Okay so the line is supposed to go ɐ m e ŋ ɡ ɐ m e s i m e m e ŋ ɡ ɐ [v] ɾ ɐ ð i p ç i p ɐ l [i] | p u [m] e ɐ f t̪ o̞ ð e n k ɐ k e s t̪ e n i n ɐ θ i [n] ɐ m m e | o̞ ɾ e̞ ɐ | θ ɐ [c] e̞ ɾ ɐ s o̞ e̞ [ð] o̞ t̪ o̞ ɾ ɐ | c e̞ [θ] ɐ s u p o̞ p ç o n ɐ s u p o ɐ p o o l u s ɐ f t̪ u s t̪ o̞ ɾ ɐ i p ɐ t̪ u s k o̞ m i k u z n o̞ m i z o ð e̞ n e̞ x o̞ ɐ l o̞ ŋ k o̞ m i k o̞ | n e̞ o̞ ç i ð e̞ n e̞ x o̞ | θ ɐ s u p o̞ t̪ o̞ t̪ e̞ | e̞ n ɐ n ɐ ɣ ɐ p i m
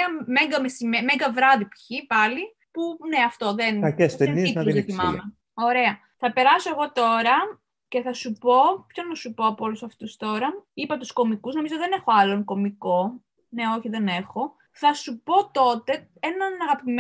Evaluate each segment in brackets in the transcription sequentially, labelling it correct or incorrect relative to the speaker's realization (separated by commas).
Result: correct, correct, incorrect, incorrect, incorrect, incorrect, correct